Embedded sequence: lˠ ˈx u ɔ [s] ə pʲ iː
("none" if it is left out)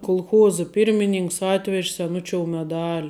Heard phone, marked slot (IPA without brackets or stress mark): z